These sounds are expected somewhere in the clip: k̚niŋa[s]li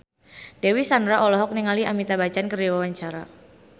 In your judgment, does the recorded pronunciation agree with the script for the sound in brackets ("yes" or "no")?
no